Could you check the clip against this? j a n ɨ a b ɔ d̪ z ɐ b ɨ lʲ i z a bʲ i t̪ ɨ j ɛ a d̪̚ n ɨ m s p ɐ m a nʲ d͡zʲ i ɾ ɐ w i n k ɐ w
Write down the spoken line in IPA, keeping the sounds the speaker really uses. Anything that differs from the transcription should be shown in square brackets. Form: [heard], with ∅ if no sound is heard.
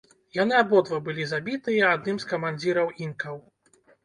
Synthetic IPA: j a n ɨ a b ɔ d̪ [v] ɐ b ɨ lʲ i z a bʲ i t̪ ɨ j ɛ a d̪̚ n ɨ m s [k] ɐ m a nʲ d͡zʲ i ɾ ɐ w i n k ɐ w